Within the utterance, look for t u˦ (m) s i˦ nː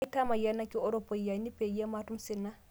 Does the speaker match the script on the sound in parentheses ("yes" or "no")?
yes